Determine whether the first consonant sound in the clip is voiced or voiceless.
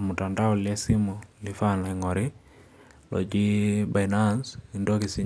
voiced